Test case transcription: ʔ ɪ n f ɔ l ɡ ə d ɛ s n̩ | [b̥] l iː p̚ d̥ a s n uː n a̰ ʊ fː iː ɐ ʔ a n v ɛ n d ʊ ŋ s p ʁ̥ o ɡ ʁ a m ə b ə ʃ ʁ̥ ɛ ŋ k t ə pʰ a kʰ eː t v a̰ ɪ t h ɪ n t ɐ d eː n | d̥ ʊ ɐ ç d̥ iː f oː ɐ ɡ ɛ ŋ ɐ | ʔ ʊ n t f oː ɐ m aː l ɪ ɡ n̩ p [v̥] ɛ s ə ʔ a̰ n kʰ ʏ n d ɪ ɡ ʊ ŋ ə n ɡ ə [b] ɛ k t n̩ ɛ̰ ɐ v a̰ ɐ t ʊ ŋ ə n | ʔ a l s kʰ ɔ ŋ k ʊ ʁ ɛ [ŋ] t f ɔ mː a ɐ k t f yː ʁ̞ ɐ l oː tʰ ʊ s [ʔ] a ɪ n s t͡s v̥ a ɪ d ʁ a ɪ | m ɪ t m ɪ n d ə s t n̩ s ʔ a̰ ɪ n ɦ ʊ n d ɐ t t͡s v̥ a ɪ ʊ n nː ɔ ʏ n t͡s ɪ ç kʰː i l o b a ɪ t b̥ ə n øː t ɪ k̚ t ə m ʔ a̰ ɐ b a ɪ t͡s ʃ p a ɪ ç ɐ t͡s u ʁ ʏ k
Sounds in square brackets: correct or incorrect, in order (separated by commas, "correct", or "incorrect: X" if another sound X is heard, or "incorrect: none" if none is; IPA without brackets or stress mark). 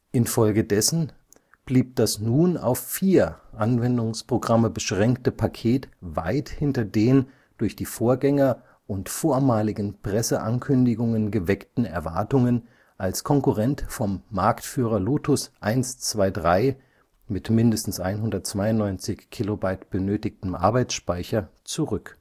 correct, incorrect: ʁ̥, incorrect: v, incorrect: n, correct